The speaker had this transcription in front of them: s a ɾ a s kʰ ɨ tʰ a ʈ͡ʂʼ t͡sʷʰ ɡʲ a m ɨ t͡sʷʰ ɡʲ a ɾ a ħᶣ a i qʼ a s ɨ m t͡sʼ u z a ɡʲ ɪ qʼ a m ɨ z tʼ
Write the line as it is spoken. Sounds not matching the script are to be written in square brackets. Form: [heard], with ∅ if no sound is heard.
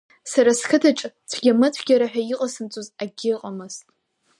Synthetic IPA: s a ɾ a s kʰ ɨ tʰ a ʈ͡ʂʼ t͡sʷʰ ɡʲ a m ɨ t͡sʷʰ ɡʲ a ɾ a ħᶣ a i qʼ a s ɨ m t͡sʼ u z a ɡʲ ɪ qʼ a m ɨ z tʼ